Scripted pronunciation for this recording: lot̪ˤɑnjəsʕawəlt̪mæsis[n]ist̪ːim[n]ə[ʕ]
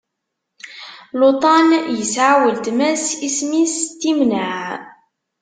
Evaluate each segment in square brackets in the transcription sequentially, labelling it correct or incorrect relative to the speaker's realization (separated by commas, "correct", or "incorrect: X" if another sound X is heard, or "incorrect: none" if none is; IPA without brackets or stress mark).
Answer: incorrect: m, correct, correct